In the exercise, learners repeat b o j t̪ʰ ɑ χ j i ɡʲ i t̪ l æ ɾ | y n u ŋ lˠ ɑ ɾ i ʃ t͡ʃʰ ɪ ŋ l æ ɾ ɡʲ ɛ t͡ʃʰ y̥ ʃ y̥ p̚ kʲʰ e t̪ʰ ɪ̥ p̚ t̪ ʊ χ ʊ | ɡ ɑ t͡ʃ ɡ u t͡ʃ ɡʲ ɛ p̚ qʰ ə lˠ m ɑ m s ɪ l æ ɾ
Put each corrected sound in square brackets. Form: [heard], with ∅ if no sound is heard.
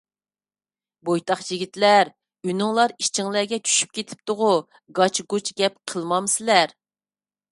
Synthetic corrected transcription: b o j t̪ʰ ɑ χ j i ɡʲ i t̪ l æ ɾ | y n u ŋ lˠ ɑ ɾ i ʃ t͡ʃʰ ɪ ŋ l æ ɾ ɡʲ ɛ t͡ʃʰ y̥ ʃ y̥ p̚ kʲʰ e t̪ʰ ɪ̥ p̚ t̪ ʊ [ʁ] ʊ | ɡ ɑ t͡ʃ ɡ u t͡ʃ ɡʲ ɛ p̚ qʰ ə lˠ m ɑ m s ɪ l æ ɾ